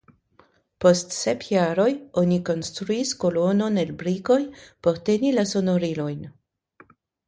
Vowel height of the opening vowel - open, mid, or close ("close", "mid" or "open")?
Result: mid